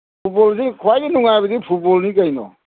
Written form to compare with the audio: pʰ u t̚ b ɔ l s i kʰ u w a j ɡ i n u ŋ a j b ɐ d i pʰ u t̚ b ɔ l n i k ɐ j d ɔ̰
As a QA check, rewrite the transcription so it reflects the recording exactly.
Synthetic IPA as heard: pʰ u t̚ b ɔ l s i kʰ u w a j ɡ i n u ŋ a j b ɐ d i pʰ u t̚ b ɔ l n i k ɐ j n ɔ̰